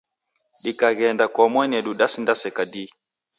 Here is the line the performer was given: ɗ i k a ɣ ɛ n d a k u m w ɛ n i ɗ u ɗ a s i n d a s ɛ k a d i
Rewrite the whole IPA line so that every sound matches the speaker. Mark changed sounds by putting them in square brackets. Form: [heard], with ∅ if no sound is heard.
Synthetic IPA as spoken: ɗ i k a ɣ ɛ n d a k [ɔ] m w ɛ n [ɛ] ɗ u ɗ a s i n d a s ɛ k a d i